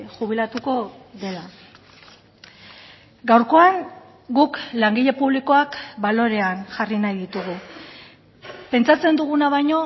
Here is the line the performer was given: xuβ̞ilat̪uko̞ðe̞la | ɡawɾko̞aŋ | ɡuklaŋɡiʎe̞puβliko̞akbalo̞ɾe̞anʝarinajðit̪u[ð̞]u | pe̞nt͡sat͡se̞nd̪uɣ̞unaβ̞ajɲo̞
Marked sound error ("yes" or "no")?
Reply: yes